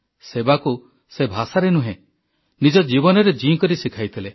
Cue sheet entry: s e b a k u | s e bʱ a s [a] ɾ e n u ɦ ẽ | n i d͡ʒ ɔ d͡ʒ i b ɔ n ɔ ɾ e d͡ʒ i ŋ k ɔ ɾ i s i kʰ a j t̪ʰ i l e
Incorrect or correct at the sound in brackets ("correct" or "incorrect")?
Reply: correct